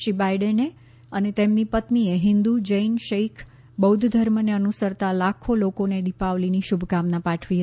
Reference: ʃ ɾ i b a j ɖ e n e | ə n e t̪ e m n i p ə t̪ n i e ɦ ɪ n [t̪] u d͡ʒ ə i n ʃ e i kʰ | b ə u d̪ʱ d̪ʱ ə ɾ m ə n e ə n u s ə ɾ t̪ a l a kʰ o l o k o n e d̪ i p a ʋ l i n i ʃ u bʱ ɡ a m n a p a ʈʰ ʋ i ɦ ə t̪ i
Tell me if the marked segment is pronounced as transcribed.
no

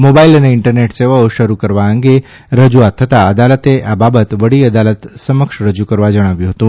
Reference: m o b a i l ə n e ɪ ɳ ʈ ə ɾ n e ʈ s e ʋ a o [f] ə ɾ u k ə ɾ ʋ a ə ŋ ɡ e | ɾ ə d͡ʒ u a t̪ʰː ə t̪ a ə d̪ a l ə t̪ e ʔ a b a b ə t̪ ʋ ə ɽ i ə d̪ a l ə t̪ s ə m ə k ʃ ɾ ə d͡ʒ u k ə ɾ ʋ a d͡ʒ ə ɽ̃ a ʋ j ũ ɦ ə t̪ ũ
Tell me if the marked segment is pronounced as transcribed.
no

